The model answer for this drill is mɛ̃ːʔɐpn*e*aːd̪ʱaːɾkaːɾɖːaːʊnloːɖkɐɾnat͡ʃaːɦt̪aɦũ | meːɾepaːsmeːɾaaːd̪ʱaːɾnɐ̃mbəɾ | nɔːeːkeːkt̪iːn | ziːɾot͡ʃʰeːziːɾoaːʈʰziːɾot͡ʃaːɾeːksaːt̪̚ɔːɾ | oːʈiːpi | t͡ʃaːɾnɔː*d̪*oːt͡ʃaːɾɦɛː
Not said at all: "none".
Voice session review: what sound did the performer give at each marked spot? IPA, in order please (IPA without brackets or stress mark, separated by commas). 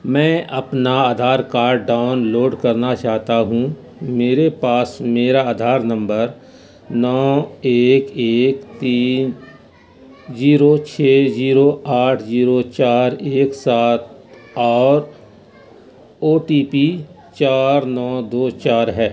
a, d̪